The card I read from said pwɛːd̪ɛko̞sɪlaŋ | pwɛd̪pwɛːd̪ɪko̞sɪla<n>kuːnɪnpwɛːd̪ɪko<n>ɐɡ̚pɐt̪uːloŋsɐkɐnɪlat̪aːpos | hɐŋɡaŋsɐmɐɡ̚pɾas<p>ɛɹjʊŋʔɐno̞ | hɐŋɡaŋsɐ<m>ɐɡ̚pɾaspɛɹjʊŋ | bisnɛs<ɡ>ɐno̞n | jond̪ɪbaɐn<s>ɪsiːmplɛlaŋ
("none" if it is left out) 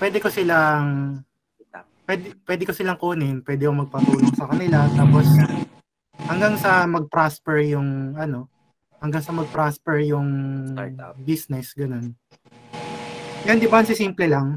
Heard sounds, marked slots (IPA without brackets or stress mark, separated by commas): ŋ, m, p, m, ɡ, s